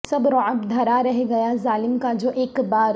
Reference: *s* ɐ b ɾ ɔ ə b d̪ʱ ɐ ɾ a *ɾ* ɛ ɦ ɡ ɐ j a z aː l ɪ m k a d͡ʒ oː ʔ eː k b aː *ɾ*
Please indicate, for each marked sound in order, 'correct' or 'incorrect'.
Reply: correct, correct, correct

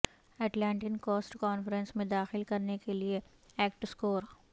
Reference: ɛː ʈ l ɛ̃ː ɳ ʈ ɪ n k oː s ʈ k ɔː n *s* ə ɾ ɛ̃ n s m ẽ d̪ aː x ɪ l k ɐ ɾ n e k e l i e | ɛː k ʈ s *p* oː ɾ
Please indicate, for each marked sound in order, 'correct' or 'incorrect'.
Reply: incorrect: f, incorrect: k

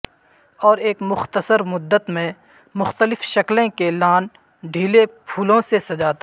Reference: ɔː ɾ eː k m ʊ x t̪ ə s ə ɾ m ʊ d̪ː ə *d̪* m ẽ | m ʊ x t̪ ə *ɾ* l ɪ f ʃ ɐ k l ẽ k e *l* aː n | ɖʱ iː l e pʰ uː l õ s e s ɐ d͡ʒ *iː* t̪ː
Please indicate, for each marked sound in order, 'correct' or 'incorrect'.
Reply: incorrect: t̪, incorrect: none, correct, incorrect: aː

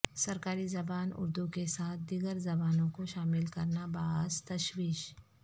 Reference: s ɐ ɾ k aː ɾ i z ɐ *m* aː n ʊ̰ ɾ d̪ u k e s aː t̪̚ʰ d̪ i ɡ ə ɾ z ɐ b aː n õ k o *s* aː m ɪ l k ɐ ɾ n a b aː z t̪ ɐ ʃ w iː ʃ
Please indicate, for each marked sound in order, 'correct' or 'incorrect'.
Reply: incorrect: b, incorrect: ʃ

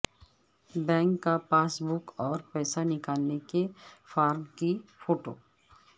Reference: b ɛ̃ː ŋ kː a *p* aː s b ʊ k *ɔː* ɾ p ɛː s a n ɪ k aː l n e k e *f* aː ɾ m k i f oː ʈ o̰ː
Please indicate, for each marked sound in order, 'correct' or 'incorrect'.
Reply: correct, correct, correct

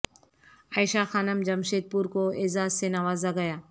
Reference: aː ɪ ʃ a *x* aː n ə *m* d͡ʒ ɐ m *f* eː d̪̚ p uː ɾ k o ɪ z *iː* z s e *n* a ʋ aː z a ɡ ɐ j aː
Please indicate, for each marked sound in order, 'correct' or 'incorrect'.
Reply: correct, correct, incorrect: ʃ, incorrect: aː, correct

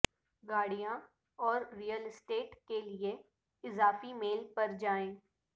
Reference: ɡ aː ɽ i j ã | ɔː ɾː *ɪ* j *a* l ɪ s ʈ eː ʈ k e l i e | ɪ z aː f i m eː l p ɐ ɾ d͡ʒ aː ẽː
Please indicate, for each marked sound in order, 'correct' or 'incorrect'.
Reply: incorrect: i, incorrect: ə

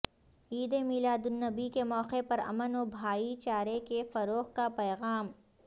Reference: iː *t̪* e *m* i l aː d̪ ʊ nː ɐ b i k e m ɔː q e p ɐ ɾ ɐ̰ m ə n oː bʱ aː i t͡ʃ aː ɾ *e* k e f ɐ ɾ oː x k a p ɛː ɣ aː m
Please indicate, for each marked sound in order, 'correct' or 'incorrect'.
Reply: incorrect: d̪, correct, correct

